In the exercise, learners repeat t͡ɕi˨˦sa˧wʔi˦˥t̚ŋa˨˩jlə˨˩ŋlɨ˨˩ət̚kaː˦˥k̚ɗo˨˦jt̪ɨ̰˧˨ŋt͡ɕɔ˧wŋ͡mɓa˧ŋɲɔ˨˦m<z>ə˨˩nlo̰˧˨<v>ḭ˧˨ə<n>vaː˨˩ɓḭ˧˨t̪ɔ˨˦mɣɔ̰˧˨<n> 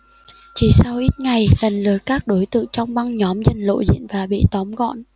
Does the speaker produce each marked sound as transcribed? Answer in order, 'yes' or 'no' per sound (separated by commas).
yes, no, yes, yes